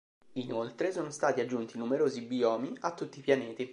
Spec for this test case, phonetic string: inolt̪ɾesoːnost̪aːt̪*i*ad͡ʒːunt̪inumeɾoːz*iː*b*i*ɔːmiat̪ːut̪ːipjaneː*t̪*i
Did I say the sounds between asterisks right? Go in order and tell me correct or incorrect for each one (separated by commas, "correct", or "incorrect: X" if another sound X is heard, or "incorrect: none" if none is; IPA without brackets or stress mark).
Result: correct, incorrect: i, correct, correct